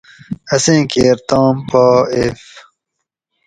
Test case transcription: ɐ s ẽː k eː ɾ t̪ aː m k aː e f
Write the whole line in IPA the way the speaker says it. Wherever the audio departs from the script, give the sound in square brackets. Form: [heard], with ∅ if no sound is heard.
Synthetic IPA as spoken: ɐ s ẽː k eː ɾ t̪ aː m [p] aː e f